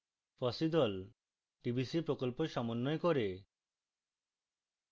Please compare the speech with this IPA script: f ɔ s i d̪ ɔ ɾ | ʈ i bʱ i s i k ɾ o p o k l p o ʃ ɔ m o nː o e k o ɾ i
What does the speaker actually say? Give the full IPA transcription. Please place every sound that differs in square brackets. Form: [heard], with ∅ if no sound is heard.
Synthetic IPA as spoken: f ɔ s i d̪ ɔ [l] | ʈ i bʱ i s i [p] ɾ o [k] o [∅] l p o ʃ ɔ m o nː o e k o ɾ [e]